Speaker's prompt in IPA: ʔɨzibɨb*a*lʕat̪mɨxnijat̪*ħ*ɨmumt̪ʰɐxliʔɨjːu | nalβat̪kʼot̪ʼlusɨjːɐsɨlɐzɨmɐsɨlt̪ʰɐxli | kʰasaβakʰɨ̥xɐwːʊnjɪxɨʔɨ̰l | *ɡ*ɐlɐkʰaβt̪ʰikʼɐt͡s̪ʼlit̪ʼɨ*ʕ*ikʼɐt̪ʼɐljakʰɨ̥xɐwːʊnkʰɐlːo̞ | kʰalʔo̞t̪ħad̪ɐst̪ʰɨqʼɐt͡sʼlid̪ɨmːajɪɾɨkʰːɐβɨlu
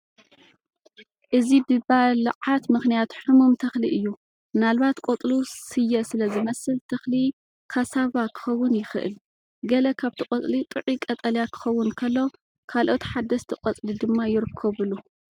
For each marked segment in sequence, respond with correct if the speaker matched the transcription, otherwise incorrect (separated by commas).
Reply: correct, correct, correct, correct